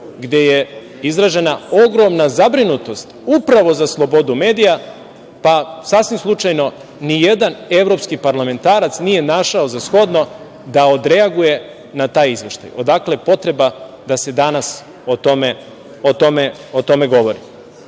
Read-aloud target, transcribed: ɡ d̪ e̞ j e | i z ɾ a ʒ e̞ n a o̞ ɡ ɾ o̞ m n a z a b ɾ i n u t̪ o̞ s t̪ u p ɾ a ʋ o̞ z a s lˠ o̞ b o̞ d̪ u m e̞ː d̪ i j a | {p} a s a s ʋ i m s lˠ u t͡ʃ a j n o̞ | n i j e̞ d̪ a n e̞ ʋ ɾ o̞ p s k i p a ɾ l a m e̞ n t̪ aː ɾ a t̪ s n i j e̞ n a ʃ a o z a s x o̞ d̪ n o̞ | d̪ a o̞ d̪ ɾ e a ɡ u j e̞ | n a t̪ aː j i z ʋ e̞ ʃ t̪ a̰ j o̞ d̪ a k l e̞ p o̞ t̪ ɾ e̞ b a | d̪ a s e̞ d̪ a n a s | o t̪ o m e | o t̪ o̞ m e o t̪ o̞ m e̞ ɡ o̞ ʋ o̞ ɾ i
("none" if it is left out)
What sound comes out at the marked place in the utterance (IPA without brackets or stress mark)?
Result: p